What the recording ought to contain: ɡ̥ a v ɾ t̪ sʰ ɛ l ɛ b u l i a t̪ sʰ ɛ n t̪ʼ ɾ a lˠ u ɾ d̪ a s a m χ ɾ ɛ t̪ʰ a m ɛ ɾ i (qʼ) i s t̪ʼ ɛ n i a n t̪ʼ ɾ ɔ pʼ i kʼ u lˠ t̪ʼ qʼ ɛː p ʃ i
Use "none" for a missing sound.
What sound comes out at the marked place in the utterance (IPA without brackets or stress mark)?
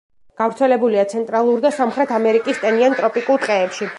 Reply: kʼ